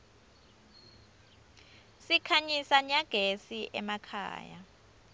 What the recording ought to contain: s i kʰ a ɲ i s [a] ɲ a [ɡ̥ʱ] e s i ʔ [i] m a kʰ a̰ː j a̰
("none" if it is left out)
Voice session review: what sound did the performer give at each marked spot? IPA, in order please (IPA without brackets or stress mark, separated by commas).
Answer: a, ɡ̥ʱ, ɛ